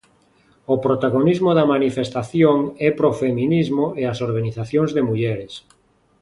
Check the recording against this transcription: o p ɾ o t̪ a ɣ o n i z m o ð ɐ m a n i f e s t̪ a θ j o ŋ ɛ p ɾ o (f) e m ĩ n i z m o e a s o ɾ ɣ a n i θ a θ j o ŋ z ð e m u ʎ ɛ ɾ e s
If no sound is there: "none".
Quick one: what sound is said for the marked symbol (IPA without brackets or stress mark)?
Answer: f